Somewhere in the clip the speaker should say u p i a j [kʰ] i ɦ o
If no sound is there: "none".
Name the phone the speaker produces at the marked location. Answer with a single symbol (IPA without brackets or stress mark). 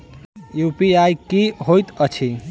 k